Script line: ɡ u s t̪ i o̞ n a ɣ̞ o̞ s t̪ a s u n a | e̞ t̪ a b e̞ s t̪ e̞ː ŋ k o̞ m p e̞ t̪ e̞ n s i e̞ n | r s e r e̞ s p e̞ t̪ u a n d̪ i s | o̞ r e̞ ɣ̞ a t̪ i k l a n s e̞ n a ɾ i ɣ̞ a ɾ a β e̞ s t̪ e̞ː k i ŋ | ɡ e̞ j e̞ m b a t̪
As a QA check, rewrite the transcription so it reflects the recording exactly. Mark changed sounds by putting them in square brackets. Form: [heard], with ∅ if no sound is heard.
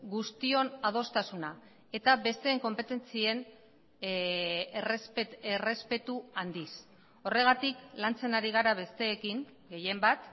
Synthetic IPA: ɡ u s t̪ i o̞ n a [ð̞] o̞ s t̪ a s u n a | e̞ t̪ a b e̞ s t̪ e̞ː ŋ k o̞ m p e̞ t̪ e̞ n [t͡s] i e̞ n | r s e r e̞ s p e̞ t̪ u a n d̪ i s | o̞ r e̞ ɣ̞ a t̪ i k l a n [t͡s] e̞ n a ɾ i ɣ̞ a ɾ a β e̞ s t̪ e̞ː k i ŋ | ɡ e̞ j e̞ m b a t̪